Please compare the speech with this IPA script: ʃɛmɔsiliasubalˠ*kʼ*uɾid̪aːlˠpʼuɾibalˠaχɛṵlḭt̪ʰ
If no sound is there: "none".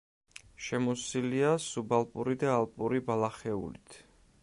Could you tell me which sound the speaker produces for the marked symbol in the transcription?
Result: pʼ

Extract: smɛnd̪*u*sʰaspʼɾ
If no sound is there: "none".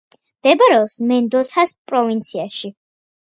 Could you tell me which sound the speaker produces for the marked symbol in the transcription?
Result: ɔ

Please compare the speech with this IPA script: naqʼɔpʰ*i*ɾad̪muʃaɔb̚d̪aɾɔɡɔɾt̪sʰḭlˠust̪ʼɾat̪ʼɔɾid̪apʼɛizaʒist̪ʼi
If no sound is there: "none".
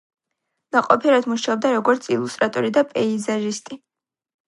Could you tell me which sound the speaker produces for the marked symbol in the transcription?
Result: i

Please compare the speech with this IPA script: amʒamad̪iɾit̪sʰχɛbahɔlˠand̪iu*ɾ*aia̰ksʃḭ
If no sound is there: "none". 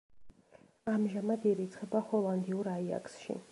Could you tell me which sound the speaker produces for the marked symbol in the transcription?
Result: ɾ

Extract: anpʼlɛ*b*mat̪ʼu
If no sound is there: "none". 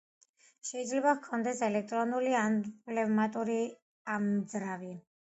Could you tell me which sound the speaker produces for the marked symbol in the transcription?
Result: v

